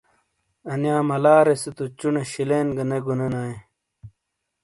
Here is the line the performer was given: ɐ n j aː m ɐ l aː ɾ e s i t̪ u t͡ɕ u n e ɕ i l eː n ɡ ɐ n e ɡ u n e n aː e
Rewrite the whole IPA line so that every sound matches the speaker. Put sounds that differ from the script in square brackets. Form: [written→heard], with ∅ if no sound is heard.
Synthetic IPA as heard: ɐ n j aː m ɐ l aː ɾ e s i t̪ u t͡ɕ u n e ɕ i l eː n ɡ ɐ n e ɡ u n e n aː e